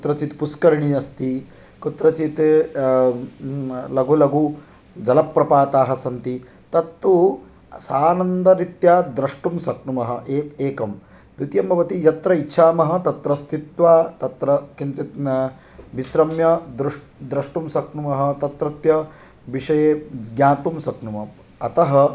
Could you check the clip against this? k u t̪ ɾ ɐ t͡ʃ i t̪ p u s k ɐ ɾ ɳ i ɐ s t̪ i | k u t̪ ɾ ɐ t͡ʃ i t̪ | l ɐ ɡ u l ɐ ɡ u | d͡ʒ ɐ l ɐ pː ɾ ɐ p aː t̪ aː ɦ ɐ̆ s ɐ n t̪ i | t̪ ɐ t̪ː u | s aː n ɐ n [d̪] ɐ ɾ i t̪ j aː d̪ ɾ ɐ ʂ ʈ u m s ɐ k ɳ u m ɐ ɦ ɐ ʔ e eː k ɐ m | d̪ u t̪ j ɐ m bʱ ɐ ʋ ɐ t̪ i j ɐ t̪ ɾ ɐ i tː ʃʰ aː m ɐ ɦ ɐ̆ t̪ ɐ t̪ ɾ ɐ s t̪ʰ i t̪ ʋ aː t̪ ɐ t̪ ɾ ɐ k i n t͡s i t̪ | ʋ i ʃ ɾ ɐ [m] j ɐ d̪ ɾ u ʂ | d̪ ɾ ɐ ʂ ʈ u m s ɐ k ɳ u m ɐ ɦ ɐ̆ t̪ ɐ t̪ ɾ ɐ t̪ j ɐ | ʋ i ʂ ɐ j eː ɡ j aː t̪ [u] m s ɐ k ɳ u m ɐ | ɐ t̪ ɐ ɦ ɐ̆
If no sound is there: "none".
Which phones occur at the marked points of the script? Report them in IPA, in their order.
d̪, m, u

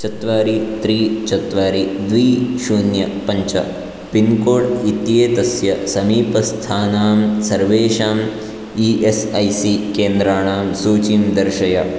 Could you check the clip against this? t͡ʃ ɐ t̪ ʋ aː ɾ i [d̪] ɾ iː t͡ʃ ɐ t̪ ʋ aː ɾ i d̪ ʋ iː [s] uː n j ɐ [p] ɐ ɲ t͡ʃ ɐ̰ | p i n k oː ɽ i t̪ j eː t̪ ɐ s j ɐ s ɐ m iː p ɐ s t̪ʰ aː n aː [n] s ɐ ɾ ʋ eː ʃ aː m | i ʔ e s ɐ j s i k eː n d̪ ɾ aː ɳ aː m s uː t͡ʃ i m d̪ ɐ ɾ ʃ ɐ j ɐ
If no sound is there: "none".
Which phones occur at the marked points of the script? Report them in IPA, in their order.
t̪, ʃ, p, m

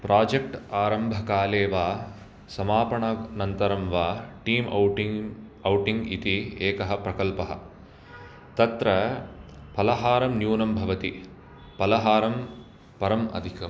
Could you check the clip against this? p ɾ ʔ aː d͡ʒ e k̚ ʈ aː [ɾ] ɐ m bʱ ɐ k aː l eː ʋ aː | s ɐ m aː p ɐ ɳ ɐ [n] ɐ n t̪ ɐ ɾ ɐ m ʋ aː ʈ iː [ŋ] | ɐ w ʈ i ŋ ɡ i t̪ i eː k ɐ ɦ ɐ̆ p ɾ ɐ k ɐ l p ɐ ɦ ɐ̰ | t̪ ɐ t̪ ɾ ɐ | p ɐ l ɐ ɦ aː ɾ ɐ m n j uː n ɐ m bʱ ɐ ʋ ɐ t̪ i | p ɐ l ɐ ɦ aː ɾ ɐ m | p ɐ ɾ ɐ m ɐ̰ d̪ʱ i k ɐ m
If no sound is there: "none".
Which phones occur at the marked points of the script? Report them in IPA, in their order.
ɾ, n, m

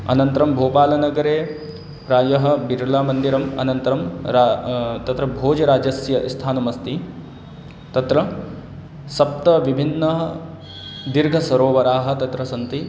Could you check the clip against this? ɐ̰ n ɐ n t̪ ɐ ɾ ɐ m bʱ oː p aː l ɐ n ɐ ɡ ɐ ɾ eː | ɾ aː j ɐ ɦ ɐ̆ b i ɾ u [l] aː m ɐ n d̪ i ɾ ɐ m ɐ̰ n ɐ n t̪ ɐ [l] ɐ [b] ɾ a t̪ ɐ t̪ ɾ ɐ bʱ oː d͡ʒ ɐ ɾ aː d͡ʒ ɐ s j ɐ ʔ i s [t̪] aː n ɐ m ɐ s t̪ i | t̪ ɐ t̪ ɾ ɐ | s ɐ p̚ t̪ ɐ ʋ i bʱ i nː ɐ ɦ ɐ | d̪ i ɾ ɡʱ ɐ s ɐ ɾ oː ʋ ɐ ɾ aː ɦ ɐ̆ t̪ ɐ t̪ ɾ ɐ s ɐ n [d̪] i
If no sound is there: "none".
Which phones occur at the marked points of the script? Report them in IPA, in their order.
l, ɾ, m, t̪ʰ, t̪

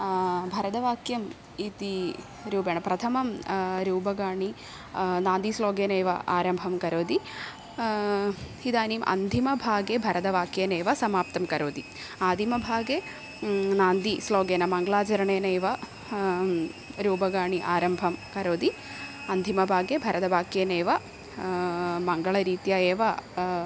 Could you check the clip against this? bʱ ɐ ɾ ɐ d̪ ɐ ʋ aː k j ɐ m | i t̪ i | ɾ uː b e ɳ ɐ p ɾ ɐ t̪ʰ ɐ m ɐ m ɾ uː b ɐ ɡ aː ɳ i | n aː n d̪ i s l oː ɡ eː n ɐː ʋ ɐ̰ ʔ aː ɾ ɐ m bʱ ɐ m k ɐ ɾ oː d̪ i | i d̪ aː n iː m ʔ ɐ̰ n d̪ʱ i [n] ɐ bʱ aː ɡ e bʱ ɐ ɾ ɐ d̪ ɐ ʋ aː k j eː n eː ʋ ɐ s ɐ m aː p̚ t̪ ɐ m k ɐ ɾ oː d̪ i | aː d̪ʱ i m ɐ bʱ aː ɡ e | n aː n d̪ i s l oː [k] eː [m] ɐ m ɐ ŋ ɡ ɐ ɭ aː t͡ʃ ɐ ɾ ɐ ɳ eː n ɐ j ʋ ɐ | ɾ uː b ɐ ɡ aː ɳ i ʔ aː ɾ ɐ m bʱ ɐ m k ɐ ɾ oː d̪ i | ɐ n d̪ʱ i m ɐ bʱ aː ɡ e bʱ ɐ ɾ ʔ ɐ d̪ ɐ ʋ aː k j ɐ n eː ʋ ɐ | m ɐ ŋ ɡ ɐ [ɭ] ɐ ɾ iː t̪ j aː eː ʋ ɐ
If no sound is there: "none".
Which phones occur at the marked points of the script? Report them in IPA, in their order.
m, ɡ, n, ɭ

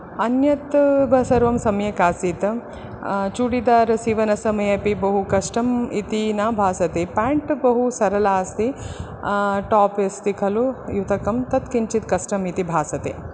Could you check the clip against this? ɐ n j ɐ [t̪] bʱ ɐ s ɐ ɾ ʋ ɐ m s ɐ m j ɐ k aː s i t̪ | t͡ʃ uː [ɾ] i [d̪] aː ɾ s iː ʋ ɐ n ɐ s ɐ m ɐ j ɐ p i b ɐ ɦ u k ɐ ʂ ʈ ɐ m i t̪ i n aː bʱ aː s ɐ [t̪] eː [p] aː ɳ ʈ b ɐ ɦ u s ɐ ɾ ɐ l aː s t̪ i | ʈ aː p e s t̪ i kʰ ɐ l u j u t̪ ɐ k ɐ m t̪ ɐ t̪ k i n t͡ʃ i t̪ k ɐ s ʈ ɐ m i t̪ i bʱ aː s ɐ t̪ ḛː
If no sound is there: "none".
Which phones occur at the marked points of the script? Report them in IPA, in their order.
t̪, ɽ, d̪, t̪, p

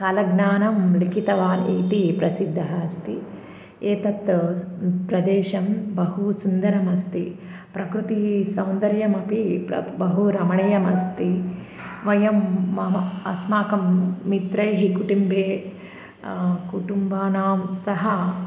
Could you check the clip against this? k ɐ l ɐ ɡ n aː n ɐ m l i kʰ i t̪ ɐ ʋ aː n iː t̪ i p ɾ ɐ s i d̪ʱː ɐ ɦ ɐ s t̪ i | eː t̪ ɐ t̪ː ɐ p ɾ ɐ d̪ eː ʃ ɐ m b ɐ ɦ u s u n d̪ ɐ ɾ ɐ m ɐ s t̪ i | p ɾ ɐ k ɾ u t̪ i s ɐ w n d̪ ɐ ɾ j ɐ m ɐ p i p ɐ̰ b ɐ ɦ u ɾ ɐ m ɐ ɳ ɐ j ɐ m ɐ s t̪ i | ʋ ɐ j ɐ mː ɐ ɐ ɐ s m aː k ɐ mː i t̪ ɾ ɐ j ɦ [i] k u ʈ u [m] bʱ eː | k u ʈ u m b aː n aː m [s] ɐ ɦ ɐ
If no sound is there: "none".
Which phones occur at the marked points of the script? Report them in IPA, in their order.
i, m, s

